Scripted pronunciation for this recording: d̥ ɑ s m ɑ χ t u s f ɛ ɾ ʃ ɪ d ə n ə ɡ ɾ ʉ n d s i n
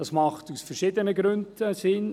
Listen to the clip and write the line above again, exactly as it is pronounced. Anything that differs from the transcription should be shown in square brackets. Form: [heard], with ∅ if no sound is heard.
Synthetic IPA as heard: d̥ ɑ s m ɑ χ t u s f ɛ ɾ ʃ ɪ d ə n ə ɡ ɾ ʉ n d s [ɪ] n

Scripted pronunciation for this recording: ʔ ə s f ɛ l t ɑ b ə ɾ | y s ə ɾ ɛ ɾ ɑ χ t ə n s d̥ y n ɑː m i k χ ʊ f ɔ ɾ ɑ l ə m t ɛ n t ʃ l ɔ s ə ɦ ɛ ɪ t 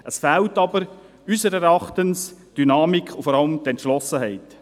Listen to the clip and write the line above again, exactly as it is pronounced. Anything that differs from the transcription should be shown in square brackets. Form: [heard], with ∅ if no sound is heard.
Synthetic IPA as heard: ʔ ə s f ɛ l t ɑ b ə ɾ | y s ə ɾ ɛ ɾ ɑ χ t ə n s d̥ y n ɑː m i k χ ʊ f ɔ ɾ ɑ l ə m t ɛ n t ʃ l ɔ s ə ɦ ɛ ɪ t

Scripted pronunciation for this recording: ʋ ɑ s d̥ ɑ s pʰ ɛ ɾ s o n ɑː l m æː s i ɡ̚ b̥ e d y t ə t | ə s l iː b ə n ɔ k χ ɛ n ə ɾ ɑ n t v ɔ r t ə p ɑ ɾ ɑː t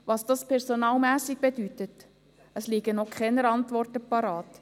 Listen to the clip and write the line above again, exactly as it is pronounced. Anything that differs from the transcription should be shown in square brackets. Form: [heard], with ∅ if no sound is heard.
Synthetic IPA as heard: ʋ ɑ s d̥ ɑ s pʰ ɛ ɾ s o n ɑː l m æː s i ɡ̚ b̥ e d y t ə t | ə s l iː [ɡ] ə n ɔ k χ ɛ n ə ɾ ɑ n t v ɔ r t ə p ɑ ɾ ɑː t

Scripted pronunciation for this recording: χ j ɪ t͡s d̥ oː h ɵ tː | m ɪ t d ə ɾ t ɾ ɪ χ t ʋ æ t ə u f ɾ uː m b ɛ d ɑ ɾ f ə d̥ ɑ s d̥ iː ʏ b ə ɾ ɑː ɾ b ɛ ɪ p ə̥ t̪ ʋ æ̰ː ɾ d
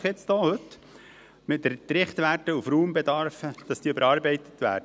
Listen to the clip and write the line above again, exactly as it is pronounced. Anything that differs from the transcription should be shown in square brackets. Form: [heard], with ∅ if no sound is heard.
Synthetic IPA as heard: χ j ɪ t͡s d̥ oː h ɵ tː | m ɪ t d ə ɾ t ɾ ɪ χ t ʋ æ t ə u f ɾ uː m b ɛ d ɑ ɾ f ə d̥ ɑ s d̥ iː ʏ b ə ɾ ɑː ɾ b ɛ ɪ [t] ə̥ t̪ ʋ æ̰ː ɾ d

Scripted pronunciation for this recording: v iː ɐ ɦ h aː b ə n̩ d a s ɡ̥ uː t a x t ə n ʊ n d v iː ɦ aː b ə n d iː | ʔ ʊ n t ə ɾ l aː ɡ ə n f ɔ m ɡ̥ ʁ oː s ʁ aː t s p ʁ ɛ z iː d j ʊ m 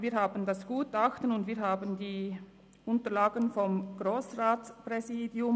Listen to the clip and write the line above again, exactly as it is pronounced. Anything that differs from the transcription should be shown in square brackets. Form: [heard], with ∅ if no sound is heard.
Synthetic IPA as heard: v iː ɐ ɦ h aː b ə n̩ d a s ɡ̥ uː t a x t ə n ʊ n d v iː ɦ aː b ə n d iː | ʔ ʊ n t ə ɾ l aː ɡ ə n f ɔ m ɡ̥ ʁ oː s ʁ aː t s p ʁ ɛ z iː d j ʊ m

